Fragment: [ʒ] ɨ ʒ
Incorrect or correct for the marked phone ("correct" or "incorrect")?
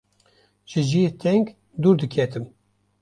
correct